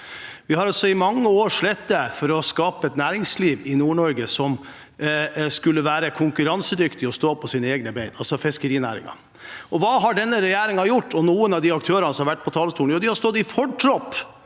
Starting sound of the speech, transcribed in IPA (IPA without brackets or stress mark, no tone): ʋ